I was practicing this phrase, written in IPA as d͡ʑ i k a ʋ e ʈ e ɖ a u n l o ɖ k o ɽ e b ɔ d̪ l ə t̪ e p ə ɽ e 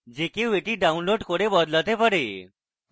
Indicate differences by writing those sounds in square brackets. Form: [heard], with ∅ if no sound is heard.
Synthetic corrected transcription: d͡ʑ [e] k [e] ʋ e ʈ [i] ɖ a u n l o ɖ k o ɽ e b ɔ d̪ l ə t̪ e p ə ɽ e